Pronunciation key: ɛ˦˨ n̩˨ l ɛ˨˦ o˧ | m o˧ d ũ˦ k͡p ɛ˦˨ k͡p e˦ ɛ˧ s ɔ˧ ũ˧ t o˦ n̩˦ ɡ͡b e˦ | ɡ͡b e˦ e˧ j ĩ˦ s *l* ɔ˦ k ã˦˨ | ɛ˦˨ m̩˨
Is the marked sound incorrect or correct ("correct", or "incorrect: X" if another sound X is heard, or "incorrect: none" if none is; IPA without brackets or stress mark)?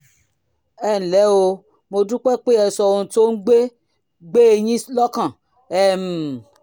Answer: correct